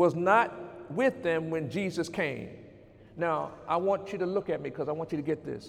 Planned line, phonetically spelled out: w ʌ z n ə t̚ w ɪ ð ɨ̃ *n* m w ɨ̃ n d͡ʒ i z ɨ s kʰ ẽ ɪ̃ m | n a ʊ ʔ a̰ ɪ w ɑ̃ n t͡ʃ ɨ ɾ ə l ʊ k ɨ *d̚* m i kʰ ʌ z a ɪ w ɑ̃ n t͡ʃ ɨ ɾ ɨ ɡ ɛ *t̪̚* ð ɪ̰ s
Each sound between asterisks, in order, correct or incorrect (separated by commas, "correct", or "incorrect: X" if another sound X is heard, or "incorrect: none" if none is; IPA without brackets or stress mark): incorrect: none, incorrect: t̚, correct